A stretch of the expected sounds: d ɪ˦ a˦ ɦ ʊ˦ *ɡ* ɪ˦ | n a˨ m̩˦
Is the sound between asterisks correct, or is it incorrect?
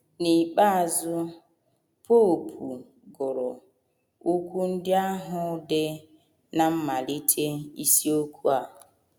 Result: incorrect